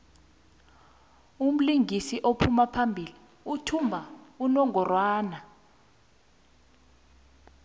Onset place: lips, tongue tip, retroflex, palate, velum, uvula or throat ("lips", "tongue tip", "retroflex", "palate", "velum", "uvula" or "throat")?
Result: lips